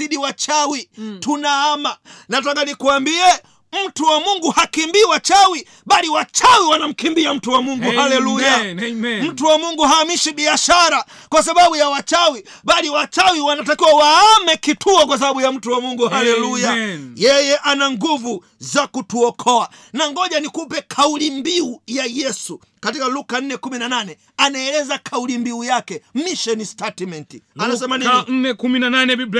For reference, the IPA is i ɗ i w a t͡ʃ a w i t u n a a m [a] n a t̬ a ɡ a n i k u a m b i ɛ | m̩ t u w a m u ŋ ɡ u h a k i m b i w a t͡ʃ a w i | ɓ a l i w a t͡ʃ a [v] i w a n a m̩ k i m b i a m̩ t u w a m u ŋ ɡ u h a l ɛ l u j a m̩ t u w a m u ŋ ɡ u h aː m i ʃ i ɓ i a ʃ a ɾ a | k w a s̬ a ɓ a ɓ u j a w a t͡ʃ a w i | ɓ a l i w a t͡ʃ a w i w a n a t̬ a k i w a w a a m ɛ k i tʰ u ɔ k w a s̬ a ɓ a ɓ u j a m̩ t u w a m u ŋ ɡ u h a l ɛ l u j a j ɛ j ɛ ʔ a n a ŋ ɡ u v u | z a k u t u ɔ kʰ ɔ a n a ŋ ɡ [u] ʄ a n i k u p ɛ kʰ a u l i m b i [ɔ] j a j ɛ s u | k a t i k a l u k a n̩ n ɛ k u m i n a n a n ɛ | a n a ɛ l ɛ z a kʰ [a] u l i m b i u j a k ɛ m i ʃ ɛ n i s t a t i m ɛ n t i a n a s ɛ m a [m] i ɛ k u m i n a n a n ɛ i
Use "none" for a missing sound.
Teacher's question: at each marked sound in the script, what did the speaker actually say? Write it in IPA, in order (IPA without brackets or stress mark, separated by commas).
a, w, ɔ, u, a, n